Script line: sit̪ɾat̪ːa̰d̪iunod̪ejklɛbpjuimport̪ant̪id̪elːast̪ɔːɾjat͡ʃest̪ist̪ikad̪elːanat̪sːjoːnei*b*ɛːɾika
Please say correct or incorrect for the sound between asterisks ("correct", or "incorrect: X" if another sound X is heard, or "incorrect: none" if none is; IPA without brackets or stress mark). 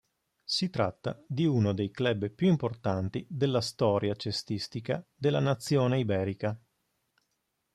correct